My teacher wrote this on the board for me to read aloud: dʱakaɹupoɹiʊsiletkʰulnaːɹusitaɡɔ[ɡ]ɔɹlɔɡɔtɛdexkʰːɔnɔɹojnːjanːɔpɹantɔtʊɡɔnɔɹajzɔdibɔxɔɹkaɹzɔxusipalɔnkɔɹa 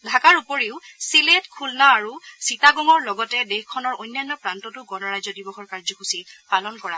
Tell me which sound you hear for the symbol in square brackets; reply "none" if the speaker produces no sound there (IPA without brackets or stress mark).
ŋ